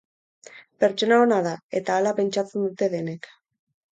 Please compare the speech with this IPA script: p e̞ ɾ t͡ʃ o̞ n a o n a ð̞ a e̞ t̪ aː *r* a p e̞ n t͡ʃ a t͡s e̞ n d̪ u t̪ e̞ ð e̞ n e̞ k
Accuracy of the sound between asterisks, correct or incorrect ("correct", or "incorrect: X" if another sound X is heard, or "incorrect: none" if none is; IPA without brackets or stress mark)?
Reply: incorrect: l